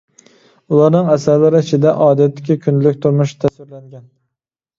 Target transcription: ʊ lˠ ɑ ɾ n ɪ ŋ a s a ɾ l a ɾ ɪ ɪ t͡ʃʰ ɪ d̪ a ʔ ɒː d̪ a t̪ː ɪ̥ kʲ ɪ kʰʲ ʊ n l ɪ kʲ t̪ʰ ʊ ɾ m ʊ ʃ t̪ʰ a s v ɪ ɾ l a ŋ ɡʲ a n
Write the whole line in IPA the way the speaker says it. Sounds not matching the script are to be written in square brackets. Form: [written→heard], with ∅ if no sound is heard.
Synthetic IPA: ʊ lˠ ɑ ɾ n ɪ ŋ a s a ɾ l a ɾ ɪ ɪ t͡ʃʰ ɪ d̪ a ʔ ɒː d̪ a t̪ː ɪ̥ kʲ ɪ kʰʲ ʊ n l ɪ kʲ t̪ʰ ʊ ɾ m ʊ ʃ t̪ʰ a s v ɪ ɾ l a ŋ ɡʲ a n